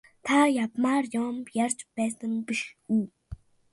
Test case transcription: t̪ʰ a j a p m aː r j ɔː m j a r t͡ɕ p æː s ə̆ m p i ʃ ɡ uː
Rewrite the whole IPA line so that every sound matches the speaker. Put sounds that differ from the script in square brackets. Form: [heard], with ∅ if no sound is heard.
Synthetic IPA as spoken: t̪ʰ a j a p m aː r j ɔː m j a r t͡ɕ p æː s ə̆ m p i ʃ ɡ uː